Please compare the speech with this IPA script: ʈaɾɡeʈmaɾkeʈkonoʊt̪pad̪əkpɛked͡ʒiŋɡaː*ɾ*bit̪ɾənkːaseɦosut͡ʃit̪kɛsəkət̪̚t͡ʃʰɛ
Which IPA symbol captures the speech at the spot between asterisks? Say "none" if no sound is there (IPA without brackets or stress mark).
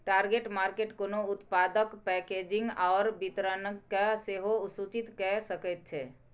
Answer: ɾ